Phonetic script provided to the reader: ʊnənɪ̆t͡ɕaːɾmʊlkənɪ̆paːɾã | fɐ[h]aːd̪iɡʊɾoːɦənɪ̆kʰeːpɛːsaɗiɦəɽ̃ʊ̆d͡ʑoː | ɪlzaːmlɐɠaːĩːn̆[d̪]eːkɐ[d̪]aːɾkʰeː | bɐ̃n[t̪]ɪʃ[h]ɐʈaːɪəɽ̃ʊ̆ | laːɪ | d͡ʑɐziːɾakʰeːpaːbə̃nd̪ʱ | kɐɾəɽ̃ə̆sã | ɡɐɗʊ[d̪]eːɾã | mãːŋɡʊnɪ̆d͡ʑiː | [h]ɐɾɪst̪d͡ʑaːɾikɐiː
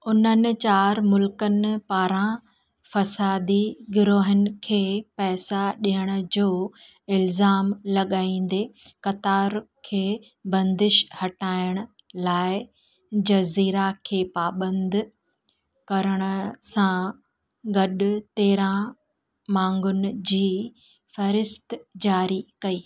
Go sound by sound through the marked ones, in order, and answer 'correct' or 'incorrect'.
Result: incorrect: s, correct, incorrect: t̪, incorrect: d̪, correct, incorrect: t̪, incorrect: f

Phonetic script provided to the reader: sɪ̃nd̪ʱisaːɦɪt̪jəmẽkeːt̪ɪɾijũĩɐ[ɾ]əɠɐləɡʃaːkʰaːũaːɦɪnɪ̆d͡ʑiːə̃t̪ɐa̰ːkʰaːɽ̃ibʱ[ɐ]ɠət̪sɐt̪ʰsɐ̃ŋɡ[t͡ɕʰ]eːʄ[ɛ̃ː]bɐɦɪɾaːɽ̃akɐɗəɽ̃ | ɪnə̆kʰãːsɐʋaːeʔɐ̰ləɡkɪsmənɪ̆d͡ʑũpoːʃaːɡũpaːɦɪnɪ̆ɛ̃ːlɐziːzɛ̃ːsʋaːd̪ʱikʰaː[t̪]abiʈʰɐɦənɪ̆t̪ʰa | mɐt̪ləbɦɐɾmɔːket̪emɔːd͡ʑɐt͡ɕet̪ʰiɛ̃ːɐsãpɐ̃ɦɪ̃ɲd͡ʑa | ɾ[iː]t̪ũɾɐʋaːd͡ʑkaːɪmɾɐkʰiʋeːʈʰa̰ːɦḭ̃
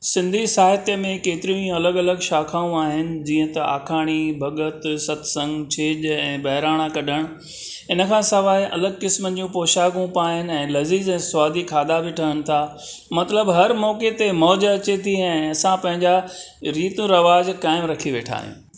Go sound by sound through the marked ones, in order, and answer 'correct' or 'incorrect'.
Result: incorrect: l, correct, correct, correct, incorrect: d̪, correct

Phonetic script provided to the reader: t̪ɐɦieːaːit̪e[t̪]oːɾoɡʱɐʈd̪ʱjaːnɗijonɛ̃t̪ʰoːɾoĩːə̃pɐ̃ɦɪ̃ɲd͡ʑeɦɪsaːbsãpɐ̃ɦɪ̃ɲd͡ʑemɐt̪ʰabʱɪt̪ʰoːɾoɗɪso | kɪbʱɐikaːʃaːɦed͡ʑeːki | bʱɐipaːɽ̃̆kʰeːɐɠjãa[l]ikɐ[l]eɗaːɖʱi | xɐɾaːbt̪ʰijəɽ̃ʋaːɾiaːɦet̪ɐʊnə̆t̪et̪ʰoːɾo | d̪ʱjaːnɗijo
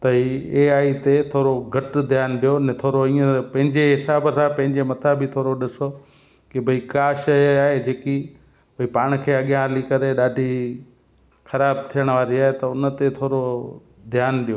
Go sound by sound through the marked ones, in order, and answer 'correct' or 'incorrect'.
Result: incorrect: t̪ʰ, correct, incorrect: ɾ

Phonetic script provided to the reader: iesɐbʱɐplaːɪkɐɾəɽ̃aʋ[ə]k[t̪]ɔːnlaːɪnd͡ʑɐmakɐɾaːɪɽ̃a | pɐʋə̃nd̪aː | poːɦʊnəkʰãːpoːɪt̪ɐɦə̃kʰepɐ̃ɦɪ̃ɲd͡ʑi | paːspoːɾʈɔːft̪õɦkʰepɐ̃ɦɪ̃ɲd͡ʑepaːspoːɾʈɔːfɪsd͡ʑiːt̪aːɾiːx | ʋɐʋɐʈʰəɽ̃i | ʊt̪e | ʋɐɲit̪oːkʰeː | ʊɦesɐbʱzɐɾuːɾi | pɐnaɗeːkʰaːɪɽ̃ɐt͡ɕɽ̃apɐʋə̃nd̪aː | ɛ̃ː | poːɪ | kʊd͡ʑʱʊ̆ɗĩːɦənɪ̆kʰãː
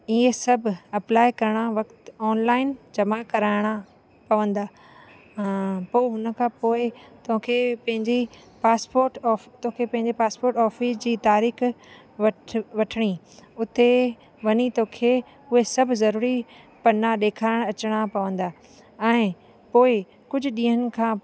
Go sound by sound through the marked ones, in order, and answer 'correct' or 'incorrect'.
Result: incorrect: ɐ, correct

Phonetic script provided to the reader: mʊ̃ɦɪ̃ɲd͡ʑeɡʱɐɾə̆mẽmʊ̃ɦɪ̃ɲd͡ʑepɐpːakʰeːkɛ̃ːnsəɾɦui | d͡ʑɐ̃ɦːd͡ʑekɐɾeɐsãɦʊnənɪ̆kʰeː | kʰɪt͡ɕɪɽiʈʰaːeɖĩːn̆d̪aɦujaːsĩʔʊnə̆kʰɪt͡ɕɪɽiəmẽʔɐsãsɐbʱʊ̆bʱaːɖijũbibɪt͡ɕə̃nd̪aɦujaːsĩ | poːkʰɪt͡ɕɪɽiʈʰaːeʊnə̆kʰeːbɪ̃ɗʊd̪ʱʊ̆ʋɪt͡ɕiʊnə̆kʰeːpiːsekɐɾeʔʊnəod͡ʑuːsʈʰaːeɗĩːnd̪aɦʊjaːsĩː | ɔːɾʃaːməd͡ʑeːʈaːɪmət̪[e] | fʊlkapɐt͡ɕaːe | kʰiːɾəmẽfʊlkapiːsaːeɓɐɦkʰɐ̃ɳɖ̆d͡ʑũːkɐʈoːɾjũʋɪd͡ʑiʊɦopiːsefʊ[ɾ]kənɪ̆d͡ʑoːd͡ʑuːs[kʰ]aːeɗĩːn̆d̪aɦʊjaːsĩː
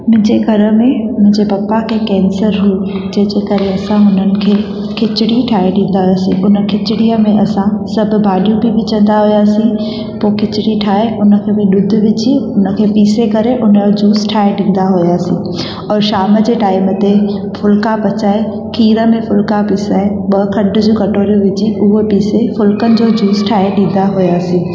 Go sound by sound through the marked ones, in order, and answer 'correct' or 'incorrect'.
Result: correct, incorrect: l, incorrect: ʈʰ

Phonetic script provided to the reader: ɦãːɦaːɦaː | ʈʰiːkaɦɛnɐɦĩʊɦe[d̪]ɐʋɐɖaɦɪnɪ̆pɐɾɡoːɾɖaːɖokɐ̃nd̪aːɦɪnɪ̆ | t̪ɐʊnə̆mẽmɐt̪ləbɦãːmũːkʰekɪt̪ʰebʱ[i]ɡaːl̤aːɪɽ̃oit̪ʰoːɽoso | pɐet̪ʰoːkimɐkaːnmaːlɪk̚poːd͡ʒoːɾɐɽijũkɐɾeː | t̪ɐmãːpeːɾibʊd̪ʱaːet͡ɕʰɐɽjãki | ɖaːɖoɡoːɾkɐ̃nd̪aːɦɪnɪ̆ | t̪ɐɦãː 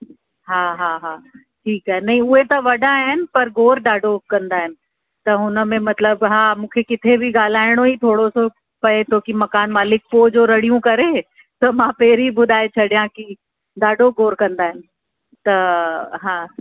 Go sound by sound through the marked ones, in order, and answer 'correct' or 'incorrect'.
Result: incorrect: t̪, correct

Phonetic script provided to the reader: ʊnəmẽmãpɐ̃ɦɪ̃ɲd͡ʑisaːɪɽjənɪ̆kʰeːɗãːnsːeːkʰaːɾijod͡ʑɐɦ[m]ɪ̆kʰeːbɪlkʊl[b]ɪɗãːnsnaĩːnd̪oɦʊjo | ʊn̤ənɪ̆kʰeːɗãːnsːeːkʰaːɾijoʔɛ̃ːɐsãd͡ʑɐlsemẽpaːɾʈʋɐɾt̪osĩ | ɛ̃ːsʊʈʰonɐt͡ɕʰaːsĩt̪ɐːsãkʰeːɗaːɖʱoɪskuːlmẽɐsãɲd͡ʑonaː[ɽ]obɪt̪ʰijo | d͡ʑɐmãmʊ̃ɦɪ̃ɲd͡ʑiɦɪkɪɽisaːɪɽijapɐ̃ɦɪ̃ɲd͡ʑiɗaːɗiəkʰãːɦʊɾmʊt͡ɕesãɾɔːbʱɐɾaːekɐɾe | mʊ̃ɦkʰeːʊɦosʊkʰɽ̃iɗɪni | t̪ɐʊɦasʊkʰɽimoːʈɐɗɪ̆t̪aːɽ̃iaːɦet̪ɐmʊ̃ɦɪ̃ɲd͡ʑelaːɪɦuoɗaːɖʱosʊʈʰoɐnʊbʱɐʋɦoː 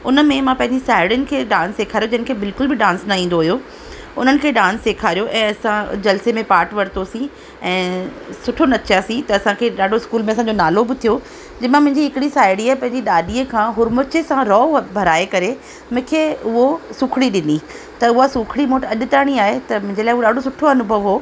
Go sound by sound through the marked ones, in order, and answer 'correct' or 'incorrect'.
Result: incorrect: n, correct, incorrect: l

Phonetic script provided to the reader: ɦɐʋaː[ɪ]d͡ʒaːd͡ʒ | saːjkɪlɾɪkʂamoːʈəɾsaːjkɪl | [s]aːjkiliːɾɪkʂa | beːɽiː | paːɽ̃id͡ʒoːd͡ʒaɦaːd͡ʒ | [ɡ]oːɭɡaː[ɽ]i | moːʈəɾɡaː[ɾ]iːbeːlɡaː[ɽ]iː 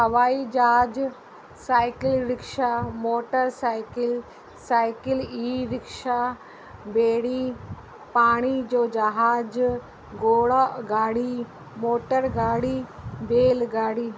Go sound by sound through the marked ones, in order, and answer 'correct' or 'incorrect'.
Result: incorrect: i, correct, correct, correct, incorrect: ɽ, correct

